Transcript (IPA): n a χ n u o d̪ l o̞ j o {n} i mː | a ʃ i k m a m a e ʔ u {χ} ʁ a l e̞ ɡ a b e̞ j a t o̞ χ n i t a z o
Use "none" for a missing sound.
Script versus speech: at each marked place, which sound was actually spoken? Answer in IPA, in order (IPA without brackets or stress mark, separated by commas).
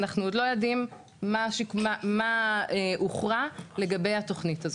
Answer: d, χ